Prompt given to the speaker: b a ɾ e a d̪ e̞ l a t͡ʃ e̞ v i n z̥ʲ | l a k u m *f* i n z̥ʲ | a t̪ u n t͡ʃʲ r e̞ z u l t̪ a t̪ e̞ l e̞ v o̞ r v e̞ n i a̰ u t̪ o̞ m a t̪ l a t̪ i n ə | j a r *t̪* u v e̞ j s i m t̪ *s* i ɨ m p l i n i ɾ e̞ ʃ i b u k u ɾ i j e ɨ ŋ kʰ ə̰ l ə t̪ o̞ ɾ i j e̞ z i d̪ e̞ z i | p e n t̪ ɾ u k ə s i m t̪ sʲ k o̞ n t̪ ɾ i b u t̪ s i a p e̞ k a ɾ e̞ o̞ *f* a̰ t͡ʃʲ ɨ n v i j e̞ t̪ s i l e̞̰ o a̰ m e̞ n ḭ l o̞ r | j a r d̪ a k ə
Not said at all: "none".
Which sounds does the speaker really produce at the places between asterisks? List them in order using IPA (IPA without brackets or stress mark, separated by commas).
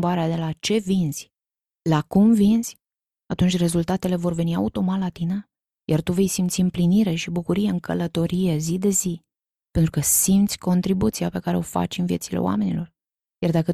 v, t̪, s, f